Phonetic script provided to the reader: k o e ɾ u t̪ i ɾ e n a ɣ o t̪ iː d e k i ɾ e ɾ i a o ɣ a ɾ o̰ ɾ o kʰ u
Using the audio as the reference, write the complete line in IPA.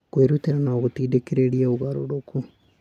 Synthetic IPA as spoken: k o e ɾ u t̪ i ɾ a n a ɣ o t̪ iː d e k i ɾ e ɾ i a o ɣ a ɾ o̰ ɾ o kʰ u